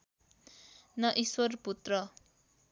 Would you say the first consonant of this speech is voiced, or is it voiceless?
voiced